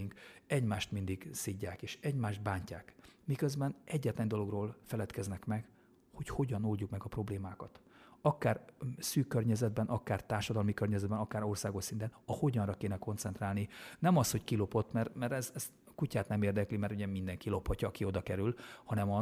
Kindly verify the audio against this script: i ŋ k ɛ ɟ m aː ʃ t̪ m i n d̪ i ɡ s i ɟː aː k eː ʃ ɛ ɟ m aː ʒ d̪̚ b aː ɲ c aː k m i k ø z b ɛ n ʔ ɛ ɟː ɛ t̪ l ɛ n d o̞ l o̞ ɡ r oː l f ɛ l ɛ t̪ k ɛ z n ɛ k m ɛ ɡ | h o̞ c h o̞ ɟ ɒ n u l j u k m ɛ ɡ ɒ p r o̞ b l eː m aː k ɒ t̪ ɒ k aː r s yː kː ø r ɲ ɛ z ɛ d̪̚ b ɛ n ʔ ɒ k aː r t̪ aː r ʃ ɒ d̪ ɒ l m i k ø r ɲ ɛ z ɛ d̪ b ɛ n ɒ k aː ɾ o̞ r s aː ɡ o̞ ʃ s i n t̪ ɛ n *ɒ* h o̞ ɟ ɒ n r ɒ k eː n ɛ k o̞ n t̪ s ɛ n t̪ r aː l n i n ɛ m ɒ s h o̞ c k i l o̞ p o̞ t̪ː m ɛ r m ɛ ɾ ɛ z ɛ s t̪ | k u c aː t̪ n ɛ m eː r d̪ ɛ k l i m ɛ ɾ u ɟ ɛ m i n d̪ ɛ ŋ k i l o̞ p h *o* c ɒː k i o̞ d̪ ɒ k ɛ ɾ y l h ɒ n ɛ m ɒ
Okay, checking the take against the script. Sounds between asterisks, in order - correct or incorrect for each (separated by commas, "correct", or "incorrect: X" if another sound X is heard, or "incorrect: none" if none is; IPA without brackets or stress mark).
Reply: correct, incorrect: ɒ